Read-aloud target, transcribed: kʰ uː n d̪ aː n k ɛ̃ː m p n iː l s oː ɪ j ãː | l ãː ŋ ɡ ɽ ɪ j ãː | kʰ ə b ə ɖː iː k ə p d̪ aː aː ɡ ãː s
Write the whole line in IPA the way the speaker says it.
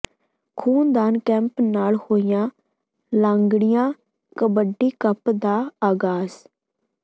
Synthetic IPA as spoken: kʰ uː n d̪ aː n k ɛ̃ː m p n aː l h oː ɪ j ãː | l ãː ŋ ɡ ɽ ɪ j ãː | k ə b ə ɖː iː k ə p d̪ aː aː ɡ aː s